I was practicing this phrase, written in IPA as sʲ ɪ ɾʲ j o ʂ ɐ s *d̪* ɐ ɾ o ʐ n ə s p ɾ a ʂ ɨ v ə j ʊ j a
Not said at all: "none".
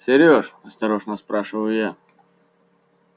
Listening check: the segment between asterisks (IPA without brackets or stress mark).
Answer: t̪